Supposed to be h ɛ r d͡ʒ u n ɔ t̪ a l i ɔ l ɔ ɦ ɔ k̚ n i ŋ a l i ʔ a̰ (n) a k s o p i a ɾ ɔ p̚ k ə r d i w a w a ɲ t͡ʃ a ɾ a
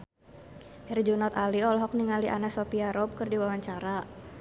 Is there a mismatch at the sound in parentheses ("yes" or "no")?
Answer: no